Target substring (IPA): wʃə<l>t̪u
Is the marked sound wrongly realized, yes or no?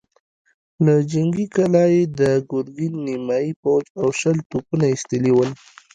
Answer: no